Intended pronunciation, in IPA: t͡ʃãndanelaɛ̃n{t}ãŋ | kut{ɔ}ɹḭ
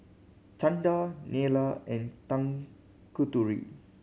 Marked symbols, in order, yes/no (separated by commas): yes, no